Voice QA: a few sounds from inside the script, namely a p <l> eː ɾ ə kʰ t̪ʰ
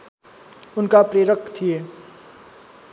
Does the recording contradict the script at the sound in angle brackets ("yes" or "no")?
yes